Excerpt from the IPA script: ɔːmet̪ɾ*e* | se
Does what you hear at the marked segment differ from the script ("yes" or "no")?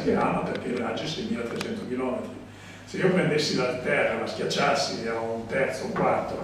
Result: yes